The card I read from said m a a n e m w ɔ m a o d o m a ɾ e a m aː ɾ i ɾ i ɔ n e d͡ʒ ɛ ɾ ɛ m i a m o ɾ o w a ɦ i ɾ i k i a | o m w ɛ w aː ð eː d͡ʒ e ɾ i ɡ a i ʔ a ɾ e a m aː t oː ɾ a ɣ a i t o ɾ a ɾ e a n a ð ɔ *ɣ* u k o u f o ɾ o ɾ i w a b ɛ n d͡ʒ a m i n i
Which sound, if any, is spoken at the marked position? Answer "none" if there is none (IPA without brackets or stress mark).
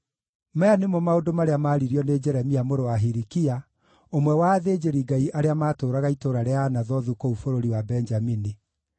ð